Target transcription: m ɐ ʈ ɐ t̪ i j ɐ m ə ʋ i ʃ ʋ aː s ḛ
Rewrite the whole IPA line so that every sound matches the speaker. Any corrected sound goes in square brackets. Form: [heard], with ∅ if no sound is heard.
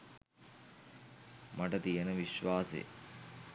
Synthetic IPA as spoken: m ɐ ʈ ɐ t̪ i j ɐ [n] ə ʋ i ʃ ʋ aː s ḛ